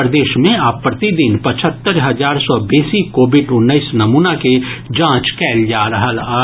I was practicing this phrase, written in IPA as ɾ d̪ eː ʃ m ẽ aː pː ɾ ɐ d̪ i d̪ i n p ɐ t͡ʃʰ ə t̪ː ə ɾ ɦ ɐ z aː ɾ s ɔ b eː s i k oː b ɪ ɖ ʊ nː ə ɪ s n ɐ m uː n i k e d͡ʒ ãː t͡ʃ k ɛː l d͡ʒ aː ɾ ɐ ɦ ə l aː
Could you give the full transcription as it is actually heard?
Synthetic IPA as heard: ɾ d̪ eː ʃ m ẽ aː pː ɾ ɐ t̪ i d̪ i n p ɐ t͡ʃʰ ə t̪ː ə ɾ ɦ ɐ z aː ɾ s ɔ b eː s i k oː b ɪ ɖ ʊ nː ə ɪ s n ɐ m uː n a k e d͡ʒ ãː t͡ʃ k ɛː l d͡ʒ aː ɾ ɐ ɦ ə l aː

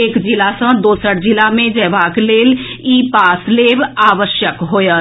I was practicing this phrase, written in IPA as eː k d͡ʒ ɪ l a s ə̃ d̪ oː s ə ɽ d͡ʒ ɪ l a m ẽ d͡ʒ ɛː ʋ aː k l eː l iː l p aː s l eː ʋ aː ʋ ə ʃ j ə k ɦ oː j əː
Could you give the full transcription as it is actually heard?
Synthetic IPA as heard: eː k d͡ʒ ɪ l a s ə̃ d̪ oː s ə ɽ d͡ʒ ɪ l a m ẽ d͡ʒ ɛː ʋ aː k l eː l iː p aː s l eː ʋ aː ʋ ə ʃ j ə k ɦ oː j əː

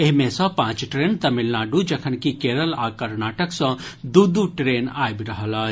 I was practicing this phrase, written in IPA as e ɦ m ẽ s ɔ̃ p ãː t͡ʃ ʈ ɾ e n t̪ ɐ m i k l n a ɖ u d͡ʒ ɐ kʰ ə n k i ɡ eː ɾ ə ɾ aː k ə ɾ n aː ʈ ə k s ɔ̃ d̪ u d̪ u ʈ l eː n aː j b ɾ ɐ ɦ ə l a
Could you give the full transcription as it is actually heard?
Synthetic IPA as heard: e ɦ m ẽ s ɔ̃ p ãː t͡ʃ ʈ ɾ e n t̪ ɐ m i l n a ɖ u d͡ʒ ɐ kʰ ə n k i k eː ɾ ə l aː k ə ɾ n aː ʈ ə k s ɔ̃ d̪ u d̪ u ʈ ɾ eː n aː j b ɾ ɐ ɦ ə l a

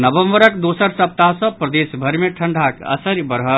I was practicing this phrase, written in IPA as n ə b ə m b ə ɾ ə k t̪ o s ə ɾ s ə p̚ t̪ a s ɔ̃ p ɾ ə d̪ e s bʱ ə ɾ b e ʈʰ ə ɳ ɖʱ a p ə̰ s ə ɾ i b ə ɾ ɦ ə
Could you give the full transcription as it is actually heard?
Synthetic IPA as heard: n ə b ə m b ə ɾ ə k d̪ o s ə ɾ s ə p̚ t̪ a s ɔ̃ p ɾ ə d̪ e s bʱ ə ɾ m e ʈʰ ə ɳ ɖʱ a k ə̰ s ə ɾ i b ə ɾ ɦ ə

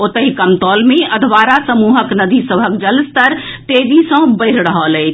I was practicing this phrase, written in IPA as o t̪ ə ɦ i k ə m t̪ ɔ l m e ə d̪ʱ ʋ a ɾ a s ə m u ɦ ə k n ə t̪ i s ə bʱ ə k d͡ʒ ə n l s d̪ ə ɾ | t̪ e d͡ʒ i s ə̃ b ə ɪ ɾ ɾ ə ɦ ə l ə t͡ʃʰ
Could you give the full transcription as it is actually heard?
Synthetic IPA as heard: o t̪ ə ɦ i k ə m t̪ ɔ l m e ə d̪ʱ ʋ a ɾ a s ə m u ɦ ə k n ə d̪ i s ə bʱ ə k d͡ʒ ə l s t̪ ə ɾ | t̪ e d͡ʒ i s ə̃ b ə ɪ ɾ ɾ ə ɦ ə l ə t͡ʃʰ

